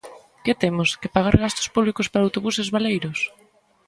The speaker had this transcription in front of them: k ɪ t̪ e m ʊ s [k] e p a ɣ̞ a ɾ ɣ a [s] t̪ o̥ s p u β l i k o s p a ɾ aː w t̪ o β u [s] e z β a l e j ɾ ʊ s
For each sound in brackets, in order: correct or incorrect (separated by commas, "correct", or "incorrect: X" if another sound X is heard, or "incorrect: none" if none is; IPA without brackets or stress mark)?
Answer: correct, correct, correct